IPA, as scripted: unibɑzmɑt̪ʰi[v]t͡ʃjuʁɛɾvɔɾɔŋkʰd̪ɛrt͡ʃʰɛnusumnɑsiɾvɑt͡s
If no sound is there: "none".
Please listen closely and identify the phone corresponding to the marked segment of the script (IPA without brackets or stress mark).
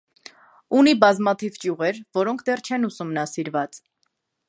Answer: v